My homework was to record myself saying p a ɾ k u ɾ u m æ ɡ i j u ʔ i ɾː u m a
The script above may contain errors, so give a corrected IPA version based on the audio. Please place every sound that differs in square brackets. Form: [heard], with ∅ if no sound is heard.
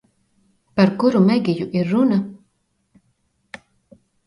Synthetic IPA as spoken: p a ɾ k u ɾ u m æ ɡ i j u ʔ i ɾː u [n] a